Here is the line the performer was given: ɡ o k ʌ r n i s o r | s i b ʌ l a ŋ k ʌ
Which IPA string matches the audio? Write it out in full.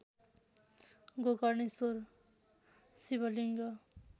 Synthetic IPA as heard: ɡ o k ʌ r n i s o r | s i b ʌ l i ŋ ɡ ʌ